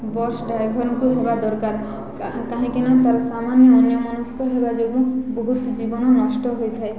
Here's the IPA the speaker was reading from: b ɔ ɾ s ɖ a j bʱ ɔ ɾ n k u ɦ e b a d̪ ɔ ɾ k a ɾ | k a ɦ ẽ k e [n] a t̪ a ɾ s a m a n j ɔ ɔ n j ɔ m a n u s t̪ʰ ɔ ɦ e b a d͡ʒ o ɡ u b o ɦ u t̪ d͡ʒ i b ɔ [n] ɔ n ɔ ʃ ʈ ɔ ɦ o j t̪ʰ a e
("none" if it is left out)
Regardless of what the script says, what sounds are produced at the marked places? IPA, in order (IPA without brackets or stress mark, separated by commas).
n, n